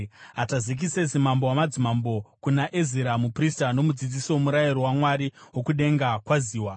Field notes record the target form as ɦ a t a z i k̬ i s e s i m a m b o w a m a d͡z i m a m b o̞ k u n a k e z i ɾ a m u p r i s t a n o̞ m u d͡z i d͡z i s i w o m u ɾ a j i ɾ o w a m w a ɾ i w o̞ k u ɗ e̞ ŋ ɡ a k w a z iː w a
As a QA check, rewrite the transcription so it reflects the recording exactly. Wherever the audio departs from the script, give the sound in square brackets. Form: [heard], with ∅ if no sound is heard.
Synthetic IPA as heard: ɦ a t a z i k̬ i s e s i m a m b o w a m a d͡z i m a m b o̞ k u n a [ʔ] e z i ɾ a m u p r i s t a n o̞ m u d͡z i d͡z i s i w o m u ɾ a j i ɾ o w a m w a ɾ i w o̞ k u ɗ e̞ ŋ ɡ a k w a z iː w a